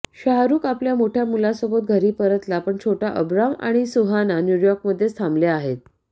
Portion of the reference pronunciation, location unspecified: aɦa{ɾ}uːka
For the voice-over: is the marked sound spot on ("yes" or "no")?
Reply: yes